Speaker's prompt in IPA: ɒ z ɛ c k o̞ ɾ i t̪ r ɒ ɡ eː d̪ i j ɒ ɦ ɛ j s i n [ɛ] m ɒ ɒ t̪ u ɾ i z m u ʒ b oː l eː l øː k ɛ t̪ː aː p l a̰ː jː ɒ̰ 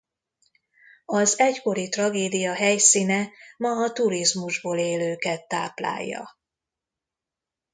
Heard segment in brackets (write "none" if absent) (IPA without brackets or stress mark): ɛ